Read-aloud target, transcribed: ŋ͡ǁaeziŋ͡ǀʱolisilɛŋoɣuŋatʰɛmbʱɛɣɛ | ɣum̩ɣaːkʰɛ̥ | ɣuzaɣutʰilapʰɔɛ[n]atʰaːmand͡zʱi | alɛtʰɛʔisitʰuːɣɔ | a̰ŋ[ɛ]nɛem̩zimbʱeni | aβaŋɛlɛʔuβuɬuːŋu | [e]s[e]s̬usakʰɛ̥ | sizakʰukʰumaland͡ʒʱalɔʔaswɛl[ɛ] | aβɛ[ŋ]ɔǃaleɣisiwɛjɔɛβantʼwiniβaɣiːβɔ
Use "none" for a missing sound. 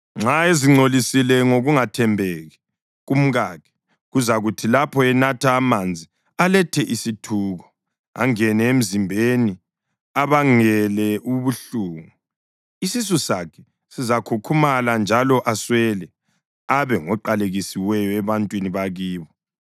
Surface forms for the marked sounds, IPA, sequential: n, ɛ, i, i, ɛ, ŋ

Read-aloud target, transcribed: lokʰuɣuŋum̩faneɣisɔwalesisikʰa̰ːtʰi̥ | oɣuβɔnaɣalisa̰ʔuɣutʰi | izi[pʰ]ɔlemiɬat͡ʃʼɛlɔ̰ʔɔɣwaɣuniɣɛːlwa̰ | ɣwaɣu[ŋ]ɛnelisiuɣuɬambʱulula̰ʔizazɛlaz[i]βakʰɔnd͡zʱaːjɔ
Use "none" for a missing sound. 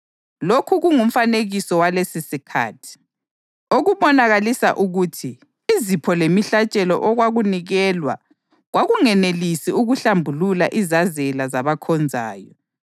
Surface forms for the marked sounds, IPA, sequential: pʰ, ŋ, a

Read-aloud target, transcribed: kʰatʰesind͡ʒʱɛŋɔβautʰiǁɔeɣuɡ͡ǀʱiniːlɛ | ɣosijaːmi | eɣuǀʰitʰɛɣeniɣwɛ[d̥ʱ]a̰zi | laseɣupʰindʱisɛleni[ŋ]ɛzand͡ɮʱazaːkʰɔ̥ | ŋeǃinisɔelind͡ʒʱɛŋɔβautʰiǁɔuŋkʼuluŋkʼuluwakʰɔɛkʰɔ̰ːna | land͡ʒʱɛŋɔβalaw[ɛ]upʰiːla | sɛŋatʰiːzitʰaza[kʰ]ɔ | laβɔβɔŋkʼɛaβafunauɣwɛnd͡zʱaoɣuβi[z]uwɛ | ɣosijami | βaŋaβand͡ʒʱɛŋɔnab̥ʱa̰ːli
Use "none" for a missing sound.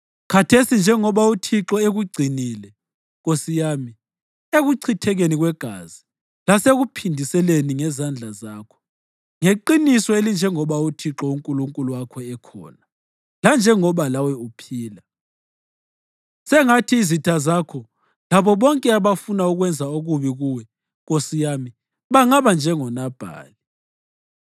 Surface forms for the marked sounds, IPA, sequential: ɡ̥ʱ, ŋ, ɛ, kʰ, ɣ

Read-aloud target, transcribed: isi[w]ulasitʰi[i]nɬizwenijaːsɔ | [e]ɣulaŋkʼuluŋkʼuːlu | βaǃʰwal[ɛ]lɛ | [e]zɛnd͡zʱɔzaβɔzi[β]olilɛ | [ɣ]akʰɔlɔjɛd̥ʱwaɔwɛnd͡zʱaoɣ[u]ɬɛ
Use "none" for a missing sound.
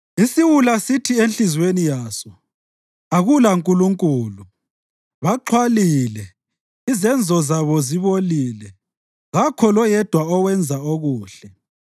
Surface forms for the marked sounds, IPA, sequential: w, e, a, i, i, β, ɣ, uː

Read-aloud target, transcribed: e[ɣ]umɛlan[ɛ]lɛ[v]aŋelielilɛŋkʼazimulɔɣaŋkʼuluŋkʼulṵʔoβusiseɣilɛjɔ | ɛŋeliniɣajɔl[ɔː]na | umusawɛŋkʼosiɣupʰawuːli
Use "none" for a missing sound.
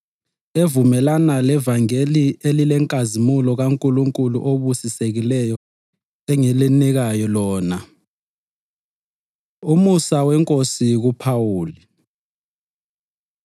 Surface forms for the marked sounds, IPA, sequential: v, a, v, ɔː

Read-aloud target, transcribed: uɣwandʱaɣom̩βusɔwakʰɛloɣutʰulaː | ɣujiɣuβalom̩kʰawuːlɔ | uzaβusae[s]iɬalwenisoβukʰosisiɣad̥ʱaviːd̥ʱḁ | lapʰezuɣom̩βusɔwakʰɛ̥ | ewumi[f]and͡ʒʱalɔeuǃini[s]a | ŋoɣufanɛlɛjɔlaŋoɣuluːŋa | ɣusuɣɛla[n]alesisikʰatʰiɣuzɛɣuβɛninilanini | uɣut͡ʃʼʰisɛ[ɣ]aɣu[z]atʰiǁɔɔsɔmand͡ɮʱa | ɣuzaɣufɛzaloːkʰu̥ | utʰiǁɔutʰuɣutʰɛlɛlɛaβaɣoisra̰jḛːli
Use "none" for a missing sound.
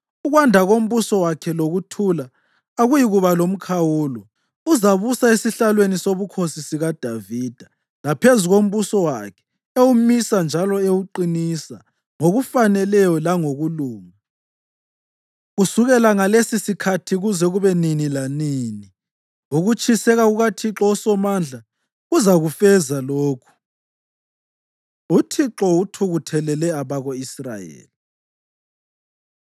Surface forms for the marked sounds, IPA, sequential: s, s, s, ŋ, ɣ, ɣ

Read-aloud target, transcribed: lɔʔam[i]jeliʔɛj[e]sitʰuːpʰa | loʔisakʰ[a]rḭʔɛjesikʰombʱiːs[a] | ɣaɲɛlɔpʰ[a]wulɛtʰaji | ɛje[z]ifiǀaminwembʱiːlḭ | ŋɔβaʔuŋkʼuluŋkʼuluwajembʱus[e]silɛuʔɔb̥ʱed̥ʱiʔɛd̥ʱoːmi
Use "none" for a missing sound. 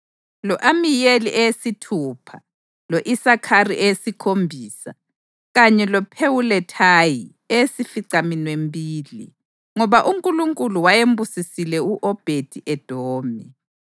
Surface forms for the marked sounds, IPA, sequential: i, e, a, a, e, s, i

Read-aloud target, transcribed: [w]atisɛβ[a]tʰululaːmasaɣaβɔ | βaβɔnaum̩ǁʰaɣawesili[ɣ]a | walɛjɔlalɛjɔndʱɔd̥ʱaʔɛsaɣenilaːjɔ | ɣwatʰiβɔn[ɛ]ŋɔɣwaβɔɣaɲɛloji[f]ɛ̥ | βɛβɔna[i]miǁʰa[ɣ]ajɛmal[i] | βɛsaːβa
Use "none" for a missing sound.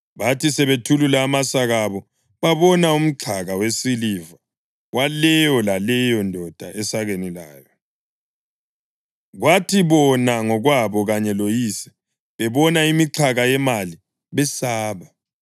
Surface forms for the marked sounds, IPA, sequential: β, e, v, a, s, i, ɣ, i

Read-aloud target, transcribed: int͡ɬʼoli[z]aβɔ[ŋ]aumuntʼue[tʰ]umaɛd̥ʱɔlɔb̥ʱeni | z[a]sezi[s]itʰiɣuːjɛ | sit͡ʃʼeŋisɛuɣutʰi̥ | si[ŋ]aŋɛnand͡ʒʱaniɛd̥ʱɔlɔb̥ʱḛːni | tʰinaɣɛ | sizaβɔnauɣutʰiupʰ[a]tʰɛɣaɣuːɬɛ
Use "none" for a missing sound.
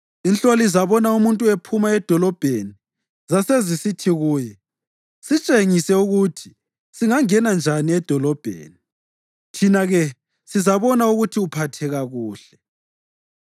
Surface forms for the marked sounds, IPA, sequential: z, n, pʰ, a, s, ŋ, a

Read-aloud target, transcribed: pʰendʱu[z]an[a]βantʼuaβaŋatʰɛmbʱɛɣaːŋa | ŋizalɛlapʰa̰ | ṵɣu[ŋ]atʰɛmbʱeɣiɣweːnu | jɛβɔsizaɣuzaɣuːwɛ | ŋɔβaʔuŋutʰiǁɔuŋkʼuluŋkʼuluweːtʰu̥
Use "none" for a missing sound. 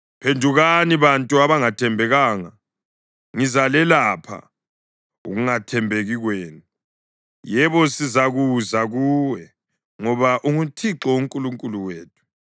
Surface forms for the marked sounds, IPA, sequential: ɣ, i, ŋ

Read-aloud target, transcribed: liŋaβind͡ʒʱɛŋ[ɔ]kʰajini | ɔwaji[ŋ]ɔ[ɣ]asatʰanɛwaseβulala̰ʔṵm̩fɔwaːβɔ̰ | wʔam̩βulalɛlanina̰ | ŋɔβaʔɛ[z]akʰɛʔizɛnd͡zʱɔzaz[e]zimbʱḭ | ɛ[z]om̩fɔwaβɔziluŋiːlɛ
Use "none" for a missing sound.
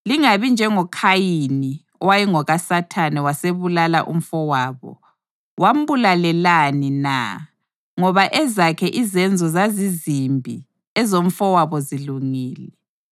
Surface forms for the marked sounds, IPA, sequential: ɔ, ŋ, ɣ, z, i, z

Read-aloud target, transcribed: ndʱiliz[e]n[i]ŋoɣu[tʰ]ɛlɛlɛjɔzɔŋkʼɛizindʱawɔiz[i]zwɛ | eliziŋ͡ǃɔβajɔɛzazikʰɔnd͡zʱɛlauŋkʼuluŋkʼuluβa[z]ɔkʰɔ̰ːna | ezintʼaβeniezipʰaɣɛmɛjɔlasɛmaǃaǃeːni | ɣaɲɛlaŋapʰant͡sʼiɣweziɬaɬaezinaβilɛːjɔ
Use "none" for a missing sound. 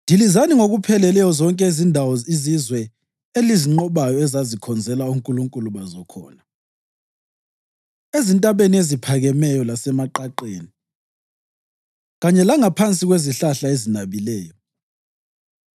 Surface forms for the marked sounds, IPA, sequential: a, i, pʰ, i, z

